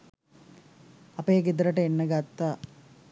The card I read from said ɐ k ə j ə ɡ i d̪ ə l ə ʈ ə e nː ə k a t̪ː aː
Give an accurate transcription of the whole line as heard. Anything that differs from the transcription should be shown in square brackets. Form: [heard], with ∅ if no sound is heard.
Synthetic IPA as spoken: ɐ [p] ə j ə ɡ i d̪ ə [ɾ] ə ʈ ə e nː ə [ɡ] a t̪ː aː